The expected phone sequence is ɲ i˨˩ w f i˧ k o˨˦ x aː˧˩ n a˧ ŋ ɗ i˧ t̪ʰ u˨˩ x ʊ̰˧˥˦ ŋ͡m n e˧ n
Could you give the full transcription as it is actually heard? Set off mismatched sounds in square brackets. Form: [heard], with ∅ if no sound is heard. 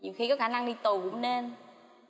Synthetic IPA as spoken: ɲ i˨˩ w [x] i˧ k [ɔ˨˦] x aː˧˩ n a˧ ŋ ɗ i˧ [t̪] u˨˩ [k] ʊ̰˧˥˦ ŋ͡m n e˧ n